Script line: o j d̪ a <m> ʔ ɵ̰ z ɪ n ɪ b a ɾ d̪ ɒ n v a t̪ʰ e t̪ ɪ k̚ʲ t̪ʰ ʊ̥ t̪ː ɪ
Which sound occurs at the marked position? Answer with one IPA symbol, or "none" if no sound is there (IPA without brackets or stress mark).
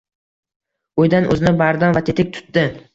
n